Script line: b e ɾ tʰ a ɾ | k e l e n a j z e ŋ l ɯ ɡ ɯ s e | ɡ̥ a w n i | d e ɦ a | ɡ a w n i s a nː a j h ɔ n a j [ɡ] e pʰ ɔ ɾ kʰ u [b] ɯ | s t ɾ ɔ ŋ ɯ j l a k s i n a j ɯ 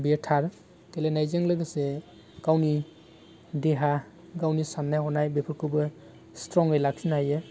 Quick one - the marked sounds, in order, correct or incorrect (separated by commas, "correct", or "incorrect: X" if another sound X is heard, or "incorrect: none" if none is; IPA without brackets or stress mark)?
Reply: incorrect: b, correct